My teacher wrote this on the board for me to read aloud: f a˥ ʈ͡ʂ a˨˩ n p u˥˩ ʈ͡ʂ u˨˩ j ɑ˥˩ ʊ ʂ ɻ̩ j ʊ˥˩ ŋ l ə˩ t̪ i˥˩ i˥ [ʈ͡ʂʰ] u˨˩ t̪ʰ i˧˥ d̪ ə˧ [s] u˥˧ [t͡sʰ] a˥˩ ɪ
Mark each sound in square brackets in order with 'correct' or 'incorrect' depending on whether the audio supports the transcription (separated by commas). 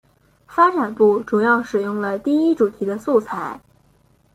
incorrect, correct, correct